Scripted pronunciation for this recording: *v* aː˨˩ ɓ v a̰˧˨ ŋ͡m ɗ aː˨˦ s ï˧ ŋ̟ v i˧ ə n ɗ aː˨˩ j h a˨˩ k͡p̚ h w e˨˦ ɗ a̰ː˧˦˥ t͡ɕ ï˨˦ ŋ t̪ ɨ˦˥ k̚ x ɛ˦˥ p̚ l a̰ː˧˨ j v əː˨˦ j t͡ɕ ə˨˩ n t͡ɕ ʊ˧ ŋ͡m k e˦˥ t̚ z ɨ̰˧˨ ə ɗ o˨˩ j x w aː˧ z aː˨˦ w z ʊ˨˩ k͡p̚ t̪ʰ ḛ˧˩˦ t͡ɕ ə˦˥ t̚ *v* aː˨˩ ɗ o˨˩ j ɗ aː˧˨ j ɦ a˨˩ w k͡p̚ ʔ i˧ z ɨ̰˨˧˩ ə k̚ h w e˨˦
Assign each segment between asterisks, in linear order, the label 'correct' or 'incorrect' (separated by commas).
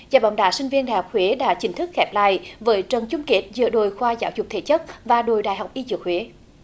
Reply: incorrect, correct